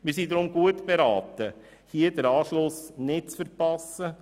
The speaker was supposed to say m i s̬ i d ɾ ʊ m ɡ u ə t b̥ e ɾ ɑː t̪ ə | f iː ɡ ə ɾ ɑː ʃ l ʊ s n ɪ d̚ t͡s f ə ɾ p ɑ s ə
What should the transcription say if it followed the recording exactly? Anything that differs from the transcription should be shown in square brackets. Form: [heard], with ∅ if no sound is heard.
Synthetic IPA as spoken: m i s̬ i d ɾ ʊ m ɡ u ə t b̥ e ɾ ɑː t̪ ə | [h] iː [d] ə ɾ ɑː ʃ l ʊ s n ɪ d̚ t͡s f ə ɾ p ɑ s ə

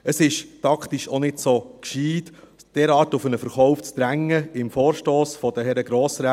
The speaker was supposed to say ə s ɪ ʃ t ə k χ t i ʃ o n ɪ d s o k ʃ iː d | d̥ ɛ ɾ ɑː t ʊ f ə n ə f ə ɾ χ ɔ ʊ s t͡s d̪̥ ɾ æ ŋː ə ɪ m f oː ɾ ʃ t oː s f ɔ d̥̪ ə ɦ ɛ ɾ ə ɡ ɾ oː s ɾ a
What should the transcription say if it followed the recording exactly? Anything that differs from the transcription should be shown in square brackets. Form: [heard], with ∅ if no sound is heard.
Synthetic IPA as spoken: ə s ɪ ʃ t [ɑ] k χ t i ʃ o n ɪ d s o k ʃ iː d | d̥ ɛ ɾ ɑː t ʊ f ə n ə f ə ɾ χ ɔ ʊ [f] t͡s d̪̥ ɾ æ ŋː ə ɪ m f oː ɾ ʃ t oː s f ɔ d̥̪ ə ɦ ɛ ɾ ə ɡ ɾ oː s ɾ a

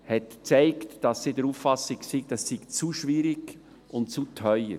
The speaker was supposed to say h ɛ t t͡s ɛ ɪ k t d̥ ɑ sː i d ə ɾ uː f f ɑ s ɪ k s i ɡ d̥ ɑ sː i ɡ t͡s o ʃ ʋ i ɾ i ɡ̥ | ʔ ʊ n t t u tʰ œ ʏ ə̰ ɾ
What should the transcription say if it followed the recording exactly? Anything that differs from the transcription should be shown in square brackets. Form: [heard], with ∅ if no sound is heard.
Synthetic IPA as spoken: h ɛ t t͡s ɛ ɪ k t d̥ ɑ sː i d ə ɾ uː f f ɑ s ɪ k s i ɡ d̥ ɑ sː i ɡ t͡s [u] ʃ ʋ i ɾ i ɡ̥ | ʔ ʊ n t [t͡s] u tʰ œ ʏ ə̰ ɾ

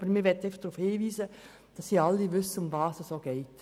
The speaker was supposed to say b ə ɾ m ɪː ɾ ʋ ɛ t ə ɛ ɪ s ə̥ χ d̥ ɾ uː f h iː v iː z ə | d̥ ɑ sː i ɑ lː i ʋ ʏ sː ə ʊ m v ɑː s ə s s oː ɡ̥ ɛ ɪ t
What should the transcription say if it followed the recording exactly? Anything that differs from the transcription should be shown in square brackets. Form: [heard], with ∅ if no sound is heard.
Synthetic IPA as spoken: b ə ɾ m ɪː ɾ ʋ ɛ t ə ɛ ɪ [f] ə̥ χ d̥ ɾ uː f h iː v iː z ə | d̥ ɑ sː i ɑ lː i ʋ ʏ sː ə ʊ m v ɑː s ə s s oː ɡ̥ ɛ ɪ t

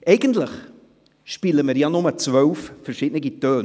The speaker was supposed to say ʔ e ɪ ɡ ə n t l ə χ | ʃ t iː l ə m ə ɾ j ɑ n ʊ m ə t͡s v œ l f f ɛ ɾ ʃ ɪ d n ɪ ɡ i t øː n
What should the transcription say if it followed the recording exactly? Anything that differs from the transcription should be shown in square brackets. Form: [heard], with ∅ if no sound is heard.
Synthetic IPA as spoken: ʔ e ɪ ɡ ə n t l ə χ | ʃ [p] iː l ə m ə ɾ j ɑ n ʊ m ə t͡s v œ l f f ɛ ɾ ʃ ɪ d n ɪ ɡ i t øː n

